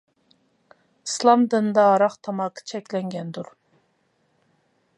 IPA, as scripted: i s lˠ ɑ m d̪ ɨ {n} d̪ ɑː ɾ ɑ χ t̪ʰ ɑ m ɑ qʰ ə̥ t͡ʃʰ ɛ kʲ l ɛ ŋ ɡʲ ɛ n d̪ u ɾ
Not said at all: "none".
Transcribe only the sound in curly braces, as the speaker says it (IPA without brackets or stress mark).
n